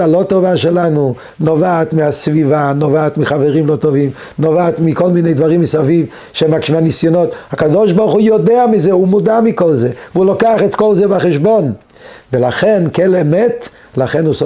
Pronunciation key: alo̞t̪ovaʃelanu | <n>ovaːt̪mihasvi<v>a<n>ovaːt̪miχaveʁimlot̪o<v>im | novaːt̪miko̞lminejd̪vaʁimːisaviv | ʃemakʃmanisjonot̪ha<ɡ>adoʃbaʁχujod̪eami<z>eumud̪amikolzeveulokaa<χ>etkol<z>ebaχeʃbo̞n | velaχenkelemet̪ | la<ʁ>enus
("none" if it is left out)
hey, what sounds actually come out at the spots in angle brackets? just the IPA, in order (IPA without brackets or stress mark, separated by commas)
n, v, n, v, k, z, χ, z, χ